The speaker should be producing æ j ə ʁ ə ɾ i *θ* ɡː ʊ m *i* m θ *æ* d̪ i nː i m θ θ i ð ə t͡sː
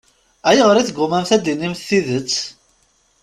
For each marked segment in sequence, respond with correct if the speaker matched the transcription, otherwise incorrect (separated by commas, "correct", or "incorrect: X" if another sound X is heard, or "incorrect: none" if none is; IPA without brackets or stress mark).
correct, incorrect: æ, correct